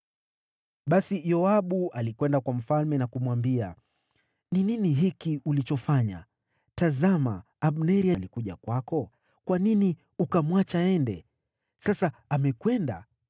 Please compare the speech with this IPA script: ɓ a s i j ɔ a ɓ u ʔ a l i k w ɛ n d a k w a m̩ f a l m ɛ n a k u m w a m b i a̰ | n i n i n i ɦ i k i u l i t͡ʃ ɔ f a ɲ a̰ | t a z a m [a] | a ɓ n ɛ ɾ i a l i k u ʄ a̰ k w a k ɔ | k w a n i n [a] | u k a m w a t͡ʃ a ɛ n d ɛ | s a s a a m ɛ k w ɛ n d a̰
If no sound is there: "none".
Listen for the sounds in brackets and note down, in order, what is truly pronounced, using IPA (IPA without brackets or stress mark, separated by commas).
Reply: a, i